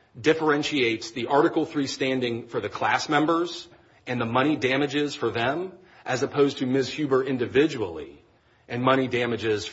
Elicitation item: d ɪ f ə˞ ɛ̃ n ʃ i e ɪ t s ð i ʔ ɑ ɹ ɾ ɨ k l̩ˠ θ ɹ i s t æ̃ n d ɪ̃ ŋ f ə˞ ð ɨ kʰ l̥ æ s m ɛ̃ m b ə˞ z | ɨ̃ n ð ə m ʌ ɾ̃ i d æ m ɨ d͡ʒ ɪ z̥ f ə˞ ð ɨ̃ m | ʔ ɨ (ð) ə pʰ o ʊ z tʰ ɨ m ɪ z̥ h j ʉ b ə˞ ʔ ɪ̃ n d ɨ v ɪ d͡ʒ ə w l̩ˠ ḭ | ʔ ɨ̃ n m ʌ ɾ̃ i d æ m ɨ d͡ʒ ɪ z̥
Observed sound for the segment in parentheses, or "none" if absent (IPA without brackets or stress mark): z